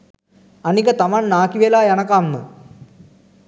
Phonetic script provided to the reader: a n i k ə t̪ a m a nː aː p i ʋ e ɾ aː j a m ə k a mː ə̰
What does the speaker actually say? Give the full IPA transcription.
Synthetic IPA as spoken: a n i k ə t̪ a m a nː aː k i ʋ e l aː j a n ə k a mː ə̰